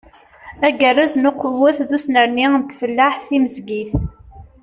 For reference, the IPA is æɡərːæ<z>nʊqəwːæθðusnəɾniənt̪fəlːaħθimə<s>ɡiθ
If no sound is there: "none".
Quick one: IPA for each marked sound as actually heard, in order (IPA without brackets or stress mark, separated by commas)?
z, z